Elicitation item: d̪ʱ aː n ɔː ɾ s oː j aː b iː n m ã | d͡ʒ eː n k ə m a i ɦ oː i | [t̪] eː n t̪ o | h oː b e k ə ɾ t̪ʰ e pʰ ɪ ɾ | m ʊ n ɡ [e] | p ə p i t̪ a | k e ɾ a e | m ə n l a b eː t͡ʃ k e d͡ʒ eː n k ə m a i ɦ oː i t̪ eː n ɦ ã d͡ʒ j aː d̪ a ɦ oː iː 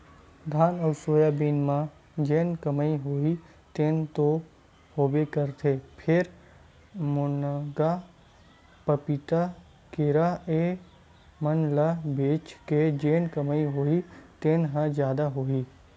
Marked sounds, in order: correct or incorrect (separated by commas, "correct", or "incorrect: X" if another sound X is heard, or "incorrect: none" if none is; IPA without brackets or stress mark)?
correct, incorrect: a